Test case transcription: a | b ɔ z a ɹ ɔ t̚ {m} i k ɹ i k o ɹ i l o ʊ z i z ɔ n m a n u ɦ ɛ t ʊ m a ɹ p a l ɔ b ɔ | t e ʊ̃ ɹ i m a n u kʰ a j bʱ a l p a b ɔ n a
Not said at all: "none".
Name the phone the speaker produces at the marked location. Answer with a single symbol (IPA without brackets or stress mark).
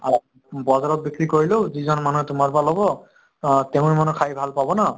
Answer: b